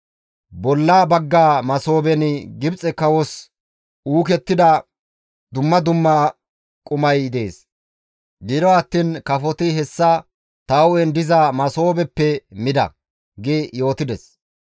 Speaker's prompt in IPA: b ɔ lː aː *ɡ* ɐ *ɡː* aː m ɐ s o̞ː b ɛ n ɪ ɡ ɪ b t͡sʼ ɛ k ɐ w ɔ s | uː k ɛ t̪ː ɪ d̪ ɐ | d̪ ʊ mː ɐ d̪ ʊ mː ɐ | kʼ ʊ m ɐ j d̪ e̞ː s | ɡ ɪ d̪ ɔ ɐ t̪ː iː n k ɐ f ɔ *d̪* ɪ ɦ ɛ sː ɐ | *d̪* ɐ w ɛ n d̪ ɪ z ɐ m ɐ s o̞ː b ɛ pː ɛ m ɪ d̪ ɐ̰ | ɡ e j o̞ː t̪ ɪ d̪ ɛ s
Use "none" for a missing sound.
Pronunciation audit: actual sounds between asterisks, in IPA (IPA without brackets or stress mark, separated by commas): b, ɡː, t̪, t̪